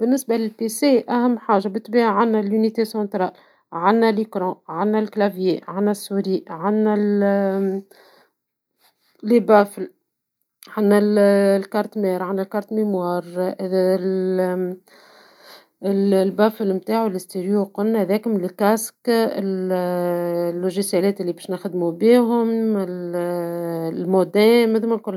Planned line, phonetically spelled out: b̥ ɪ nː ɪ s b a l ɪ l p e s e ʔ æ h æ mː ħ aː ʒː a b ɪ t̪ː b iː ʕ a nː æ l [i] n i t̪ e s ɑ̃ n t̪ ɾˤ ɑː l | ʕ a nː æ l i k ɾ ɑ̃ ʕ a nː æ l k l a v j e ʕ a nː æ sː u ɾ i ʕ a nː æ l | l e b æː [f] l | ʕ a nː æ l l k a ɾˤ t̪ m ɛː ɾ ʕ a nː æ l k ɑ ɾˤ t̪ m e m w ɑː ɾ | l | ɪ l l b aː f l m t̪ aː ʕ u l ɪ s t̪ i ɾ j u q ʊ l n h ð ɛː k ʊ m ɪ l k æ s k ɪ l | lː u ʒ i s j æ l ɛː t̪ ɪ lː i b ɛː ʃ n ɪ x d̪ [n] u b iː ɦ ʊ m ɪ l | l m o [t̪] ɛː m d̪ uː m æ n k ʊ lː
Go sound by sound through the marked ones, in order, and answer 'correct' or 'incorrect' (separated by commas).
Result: incorrect, correct, incorrect, incorrect